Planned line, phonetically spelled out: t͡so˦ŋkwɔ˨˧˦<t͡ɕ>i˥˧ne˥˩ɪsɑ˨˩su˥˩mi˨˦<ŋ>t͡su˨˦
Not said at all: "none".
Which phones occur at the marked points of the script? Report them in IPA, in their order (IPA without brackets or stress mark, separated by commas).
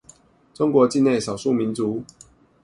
t͡ɕ, n